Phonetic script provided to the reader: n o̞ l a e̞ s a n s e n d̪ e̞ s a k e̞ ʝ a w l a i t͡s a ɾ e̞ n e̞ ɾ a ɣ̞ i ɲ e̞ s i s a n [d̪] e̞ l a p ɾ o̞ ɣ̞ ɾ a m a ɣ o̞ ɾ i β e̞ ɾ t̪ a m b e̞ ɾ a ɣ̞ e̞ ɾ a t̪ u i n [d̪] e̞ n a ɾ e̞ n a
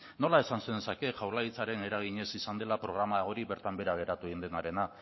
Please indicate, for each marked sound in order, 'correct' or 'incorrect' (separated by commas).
correct, correct